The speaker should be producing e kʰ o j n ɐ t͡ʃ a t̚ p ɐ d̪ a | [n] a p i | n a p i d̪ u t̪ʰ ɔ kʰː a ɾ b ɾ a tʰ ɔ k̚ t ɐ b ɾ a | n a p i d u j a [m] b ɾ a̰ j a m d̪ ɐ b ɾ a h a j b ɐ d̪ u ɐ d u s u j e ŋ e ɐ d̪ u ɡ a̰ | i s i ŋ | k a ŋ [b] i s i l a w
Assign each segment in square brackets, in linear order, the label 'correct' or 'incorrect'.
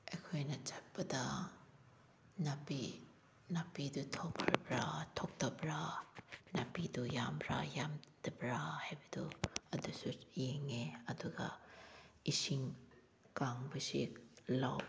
correct, correct, correct

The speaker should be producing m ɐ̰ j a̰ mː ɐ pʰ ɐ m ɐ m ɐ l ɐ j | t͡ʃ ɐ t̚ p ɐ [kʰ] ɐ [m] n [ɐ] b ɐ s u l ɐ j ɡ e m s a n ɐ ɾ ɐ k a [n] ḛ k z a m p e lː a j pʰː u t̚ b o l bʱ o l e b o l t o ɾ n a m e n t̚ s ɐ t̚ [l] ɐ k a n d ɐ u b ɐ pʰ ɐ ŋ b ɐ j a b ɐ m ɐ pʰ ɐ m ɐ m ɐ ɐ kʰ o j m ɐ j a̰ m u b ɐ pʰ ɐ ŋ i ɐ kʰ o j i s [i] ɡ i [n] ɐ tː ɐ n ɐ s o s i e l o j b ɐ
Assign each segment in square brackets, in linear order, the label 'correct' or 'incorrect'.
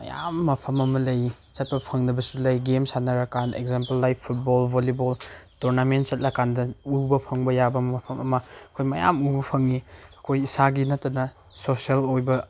incorrect: pʰ, incorrect: ŋ, correct, correct, correct, incorrect: a, correct

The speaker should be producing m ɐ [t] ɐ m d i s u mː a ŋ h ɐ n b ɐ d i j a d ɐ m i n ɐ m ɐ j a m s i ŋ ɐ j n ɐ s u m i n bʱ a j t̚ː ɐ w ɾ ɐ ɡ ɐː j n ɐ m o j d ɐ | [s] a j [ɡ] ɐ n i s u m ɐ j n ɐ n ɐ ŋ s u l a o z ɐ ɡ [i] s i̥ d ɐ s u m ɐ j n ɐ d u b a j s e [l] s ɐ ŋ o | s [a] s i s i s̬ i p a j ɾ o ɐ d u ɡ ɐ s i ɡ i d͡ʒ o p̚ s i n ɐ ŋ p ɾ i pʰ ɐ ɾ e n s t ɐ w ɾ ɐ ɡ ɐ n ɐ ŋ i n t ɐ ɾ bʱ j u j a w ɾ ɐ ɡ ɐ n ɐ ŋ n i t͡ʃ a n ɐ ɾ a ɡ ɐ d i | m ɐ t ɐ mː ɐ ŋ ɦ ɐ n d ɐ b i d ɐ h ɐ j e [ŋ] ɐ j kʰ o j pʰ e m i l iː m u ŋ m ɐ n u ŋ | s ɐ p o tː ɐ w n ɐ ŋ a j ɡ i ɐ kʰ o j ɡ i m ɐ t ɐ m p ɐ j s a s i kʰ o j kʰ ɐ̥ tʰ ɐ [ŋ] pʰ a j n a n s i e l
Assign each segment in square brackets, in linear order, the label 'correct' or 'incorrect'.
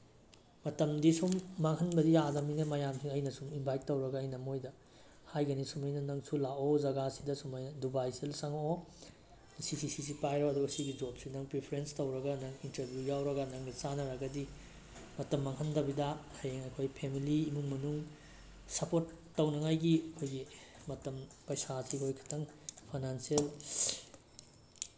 correct, incorrect: h, correct, incorrect: a, correct, incorrect: i, correct, correct

